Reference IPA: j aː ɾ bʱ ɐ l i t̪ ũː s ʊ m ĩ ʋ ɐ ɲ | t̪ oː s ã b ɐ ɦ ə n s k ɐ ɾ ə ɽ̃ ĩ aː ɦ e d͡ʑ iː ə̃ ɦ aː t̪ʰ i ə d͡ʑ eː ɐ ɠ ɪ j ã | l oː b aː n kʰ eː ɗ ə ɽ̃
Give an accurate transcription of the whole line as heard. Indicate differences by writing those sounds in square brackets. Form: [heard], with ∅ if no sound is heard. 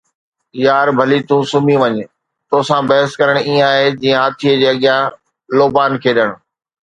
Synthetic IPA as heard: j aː ɾ bʱ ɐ l i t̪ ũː s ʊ m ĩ ʋ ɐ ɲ | t̪ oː s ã b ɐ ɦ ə [∅] s k ɐ ɾ ə ɽ̃ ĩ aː ɦ e d͡ʑ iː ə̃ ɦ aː t̪ʰ i ə d͡ʑ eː ɐ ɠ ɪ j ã | l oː b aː n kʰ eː ɗ ə ɽ̃